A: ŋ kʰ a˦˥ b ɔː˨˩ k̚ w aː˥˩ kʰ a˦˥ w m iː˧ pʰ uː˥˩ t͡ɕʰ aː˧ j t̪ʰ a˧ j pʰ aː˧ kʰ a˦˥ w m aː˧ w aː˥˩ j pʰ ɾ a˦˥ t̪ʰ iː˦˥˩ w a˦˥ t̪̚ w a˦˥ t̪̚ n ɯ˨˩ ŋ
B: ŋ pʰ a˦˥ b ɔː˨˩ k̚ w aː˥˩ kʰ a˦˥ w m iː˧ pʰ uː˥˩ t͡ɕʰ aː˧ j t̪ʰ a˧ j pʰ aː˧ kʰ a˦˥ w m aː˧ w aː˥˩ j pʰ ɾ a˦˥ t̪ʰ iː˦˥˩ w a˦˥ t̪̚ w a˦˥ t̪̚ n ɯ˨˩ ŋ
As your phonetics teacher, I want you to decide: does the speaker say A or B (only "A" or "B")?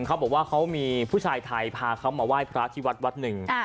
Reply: A